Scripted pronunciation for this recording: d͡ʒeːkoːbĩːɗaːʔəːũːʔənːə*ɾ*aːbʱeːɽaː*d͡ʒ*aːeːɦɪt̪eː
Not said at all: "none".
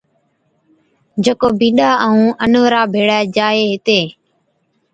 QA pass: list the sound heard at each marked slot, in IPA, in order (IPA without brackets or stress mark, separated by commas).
ɾ, d͡ʒ